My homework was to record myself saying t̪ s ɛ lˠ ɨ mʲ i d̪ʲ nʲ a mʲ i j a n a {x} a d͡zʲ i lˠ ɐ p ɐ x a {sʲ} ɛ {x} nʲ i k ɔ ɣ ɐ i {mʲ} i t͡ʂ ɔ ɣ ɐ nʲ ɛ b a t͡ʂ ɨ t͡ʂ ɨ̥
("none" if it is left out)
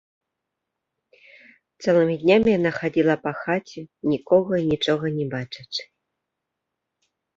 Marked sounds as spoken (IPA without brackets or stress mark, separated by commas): x, t͡sʲ, none, nʲ